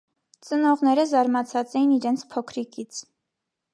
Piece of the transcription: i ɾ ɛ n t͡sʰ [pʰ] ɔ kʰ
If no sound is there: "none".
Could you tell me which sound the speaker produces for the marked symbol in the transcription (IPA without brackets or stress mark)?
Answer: pʰ